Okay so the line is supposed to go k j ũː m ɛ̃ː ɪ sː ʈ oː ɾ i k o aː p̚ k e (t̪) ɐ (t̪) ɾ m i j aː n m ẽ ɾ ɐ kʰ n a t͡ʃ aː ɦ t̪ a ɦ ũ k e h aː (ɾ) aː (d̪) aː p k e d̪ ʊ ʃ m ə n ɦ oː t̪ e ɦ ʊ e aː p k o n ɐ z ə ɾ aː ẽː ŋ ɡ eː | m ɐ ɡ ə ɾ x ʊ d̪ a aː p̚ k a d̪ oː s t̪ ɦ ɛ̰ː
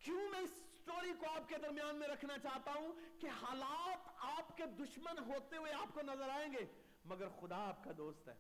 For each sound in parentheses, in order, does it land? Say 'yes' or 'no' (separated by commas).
no, no, no, no